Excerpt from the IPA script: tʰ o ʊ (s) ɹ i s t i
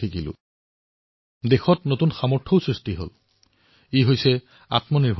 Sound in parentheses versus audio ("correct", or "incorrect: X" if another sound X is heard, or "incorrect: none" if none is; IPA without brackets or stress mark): correct